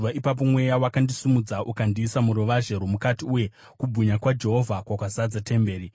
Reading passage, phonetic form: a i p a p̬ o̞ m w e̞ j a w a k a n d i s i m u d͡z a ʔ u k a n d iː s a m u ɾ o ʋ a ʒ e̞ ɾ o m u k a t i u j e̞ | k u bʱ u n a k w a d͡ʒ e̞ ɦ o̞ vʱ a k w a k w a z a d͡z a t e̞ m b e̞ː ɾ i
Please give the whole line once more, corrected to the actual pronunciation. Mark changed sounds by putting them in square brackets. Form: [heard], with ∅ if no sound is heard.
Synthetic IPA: a i p a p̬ o̞ m w e̞ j a w a k a n d i s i m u d͡z a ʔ u k a n d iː s a m u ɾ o ʋ a ʒ e̞ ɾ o m u k a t i u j e̞ | k u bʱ u [ɲ] a k w a d͡ʒ e̞ ɦ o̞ vʱ a k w a k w a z a d͡z a t e̞ m b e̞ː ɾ i